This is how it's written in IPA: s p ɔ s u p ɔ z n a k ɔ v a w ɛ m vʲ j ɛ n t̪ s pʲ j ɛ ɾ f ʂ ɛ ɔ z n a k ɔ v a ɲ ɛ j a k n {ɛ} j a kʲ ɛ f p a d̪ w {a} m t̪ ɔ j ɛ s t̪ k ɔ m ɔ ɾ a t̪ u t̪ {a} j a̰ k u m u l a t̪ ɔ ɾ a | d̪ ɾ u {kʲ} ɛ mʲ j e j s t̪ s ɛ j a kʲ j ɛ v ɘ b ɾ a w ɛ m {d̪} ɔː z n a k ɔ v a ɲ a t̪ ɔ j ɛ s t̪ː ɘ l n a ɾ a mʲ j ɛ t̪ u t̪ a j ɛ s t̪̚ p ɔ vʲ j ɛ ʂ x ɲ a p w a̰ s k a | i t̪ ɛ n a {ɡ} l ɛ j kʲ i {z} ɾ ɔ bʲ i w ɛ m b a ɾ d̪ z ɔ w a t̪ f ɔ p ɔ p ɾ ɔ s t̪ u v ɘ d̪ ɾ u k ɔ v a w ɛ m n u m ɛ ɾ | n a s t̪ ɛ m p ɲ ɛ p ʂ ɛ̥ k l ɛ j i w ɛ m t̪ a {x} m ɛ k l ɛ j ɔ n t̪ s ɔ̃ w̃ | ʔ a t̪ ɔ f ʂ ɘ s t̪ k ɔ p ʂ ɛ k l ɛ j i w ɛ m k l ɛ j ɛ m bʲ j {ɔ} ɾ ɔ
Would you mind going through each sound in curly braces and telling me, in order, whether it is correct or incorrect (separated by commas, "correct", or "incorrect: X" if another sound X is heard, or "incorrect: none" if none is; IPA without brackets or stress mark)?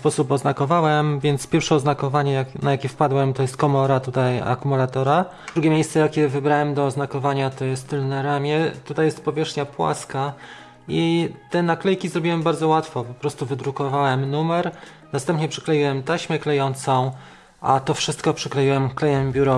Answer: incorrect: a, incorrect: ɛ, correct, incorrect: ɡʲ, correct, incorrect: k, correct, incorrect: ɕ, incorrect: u